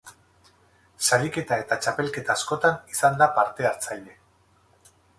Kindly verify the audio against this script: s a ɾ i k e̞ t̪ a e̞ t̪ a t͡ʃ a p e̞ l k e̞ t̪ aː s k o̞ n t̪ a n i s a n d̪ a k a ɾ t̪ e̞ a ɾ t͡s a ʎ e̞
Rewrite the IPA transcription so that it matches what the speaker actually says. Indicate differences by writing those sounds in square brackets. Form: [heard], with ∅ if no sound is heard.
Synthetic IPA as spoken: s a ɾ i k e̞ t̪ a e̞ t̪ a t͡ʃ a p e̞ l k e̞ t̪ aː s k o̞ [∅] t̪ a n i s a n d̪ a [p] a ɾ t̪ e̞ a ɾ t͡s a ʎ e̞